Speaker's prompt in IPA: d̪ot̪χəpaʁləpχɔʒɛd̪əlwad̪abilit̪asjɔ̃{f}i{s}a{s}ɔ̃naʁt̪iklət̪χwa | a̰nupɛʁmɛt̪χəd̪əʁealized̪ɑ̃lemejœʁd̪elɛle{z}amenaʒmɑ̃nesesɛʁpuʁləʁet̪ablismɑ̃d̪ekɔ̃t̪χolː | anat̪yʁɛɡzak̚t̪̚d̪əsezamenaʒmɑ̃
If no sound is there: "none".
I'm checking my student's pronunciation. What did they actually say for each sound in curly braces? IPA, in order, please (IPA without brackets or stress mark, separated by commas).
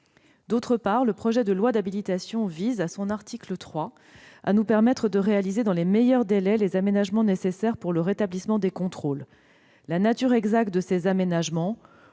v, z, s, z